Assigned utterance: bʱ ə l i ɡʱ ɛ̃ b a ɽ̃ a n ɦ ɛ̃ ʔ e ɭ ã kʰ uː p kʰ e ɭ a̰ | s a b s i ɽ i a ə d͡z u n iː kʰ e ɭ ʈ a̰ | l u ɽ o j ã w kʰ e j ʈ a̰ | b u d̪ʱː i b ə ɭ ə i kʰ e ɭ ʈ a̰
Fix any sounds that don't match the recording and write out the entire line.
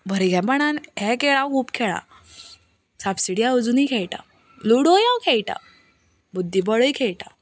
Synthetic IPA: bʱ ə ɾ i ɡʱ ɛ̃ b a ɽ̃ a n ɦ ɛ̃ k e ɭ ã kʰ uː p kʰ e ɭ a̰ | s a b s i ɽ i a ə d͡z u n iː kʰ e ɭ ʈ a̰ | l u ɽ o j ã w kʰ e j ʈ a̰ | b u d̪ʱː i b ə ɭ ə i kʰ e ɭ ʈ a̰